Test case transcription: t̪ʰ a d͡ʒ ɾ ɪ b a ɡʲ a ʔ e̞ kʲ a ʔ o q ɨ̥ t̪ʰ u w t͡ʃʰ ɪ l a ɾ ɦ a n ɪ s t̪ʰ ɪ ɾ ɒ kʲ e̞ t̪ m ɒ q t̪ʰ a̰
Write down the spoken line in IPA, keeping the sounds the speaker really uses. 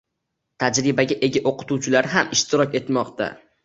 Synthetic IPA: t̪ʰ a d͡ʒ ɾ ɪ b a ɡʲ a ʔ e̞ ɡʲ a ʔ o q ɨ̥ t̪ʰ u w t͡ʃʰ ɪ l a ɾ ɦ a m ɪ ʃ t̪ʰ ɪ ɾ ɒ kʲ e̞ t̪ m ɒ q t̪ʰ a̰